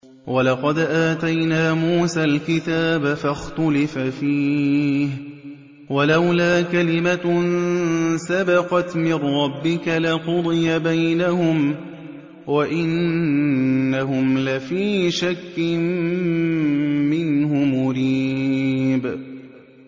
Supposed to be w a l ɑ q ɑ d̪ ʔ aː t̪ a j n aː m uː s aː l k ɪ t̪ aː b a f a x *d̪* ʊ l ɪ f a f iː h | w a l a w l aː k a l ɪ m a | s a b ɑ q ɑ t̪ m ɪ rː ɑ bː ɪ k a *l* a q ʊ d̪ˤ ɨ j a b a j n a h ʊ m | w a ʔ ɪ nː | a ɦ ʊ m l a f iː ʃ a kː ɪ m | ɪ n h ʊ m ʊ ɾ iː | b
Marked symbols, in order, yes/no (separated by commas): no, yes